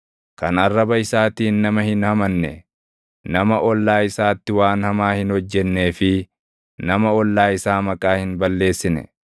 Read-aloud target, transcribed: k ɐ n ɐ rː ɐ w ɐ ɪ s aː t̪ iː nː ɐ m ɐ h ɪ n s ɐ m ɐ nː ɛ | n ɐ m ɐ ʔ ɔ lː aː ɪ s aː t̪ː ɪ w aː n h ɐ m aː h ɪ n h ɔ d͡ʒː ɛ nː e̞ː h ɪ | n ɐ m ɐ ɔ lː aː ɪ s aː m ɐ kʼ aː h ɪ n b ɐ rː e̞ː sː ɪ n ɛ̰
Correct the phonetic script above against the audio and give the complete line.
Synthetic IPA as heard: k ɐ n ɐ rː ɐ b ɐ ɪ s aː t̪ iː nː ɐ m ɐ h ɪ n h ɐ m ɐ nː ɛ | n ɐ m ɐ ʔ ɔ lː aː ɪ s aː t̪ː ɪ w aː n h ɐ m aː h ɪ n h ɔ d͡ʒː ɛ nː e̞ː f ɪ | n ɐ m ɐ ɔ lː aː ɪ s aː m ɐ kʼ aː h ɪ n b ɐ lː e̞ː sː ɪ n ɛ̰